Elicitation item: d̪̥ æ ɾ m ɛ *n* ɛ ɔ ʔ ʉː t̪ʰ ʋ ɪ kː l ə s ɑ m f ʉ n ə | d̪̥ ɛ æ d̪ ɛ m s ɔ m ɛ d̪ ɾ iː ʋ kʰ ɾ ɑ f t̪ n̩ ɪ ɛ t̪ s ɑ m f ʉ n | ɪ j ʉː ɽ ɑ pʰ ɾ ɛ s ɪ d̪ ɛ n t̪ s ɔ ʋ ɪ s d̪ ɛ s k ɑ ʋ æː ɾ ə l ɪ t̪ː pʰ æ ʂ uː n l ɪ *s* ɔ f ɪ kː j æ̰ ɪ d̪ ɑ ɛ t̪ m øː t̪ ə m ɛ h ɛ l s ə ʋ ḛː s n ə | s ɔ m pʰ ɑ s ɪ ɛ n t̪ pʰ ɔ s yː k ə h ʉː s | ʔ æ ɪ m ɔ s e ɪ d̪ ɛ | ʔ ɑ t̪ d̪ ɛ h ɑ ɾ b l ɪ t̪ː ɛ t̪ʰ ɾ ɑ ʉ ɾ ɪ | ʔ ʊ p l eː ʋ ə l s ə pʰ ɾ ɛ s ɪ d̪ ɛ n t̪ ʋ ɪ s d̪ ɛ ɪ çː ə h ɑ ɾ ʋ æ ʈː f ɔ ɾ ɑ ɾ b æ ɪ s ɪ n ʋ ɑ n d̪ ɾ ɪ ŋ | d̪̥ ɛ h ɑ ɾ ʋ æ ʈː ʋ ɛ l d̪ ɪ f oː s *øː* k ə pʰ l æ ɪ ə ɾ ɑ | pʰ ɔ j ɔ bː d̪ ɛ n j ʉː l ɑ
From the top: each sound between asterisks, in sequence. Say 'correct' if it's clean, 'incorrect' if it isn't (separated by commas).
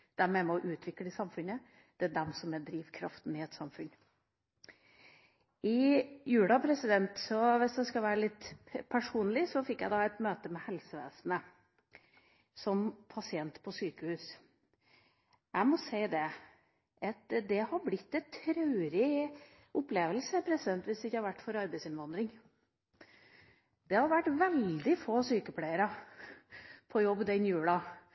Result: incorrect, correct, incorrect